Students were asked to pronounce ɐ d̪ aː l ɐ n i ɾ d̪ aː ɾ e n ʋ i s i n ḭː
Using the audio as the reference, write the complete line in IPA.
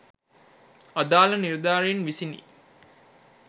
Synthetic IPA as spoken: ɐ d̪ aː l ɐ n i ɾ d̪ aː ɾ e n ʋ i s i n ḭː